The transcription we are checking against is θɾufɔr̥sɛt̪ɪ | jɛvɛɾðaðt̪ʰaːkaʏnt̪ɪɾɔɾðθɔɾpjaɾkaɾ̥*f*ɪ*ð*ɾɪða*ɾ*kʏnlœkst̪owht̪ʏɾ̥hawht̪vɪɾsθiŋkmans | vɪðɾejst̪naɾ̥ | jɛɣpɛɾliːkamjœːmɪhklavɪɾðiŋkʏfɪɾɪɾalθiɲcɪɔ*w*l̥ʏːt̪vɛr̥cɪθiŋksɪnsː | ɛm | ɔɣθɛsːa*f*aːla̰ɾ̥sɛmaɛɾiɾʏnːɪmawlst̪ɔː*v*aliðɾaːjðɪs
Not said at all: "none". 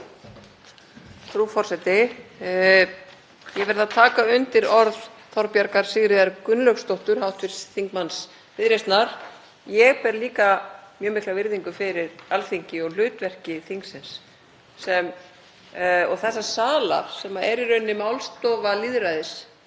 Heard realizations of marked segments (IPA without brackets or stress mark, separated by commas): s, ɣ, ɾ, ɣ, s, v